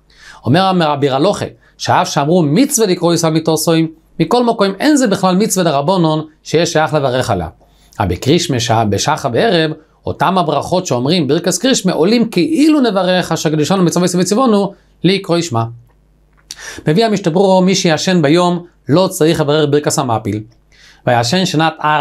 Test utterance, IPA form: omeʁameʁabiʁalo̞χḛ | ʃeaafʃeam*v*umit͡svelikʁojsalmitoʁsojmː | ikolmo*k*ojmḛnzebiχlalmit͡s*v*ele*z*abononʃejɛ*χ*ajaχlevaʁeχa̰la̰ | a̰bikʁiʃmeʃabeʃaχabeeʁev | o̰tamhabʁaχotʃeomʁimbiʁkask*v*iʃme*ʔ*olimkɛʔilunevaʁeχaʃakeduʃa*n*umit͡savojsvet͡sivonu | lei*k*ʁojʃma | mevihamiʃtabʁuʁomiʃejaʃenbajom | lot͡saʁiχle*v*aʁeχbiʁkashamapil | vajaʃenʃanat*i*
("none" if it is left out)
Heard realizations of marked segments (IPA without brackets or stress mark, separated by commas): ʁ, k, v, ʁ, ʃ, ʁ, ʔ, n, k, v, a